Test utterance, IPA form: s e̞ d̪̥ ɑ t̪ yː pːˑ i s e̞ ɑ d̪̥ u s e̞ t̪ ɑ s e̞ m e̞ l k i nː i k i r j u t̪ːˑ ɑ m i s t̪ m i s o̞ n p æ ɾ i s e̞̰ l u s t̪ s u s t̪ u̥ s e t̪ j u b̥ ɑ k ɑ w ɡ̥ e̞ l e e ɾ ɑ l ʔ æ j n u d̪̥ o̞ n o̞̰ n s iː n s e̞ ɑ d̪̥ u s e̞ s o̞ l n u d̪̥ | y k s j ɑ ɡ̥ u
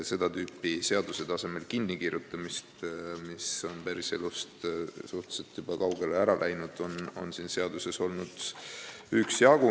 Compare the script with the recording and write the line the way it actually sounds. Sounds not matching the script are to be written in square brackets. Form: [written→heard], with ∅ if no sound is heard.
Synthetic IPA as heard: s e̞ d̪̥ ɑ t̪ yː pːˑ i s e̞ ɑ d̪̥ u s e̞ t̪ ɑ s e̞ m e̞ l k i nː i k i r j u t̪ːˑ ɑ m i s t̪ m i s o̞ n p æ ɾ i s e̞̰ l u s t̪ s u [s→h] t̪ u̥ s e t̪ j u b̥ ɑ k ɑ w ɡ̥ e̞ l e [e→æ] ɾ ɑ l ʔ æ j n u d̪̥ o̞ n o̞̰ n s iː n s e̞ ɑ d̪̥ u s e̞ s o̞ l n u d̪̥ | y k s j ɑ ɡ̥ u